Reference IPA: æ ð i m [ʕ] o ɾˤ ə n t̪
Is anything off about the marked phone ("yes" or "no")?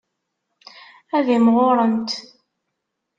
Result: yes